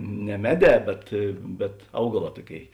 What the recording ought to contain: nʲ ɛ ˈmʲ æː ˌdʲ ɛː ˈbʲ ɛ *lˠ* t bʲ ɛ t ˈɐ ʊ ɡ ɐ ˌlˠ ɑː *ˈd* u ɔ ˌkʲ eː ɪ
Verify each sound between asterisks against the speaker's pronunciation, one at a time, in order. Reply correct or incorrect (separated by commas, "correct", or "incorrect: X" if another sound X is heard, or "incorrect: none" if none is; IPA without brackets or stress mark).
incorrect: none, incorrect: t